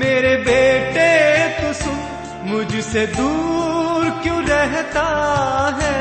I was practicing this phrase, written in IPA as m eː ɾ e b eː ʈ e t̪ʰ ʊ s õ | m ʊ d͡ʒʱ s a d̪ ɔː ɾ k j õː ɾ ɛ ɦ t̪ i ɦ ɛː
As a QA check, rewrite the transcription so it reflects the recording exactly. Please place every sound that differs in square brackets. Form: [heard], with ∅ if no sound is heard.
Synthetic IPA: m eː ɾ e b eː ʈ e [t̪] ʊ s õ | m ʊ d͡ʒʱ s [e] d̪ [uː] ɾ k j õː ɾ ɛ ɦ t̪ [a] ɦ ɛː